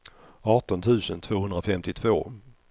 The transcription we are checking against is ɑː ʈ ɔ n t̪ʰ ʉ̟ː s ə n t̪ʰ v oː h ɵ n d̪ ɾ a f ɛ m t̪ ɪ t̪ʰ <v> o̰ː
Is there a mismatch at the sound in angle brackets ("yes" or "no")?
no